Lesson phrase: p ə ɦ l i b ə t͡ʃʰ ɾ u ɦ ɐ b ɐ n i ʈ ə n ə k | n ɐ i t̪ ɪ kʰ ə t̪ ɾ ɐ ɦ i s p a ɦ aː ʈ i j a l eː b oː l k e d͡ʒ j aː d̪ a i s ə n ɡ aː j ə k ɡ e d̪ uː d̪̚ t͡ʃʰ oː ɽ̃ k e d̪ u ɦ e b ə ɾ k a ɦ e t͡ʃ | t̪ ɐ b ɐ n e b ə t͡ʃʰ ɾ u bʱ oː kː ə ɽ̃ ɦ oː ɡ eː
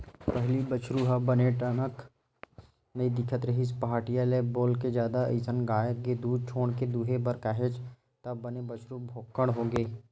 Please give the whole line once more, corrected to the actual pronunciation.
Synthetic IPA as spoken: p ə ɦ l i b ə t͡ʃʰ ɾ u ɦ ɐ b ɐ n e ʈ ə n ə k | n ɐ i d̪ ɪ kʰ ə t̪ ɾ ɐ ɦ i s p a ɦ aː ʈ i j a l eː b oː l k e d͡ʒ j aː d̪ a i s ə n ɡ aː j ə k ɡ e d̪ uː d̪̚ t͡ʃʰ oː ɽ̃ k e d̪ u ɦ e b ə ɾ k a ɦ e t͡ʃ | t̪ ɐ b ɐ n e b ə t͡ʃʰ ɾ u bʱ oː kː ə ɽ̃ ɦ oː ɡ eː